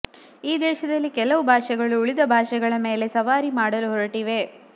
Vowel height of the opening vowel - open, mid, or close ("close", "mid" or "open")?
close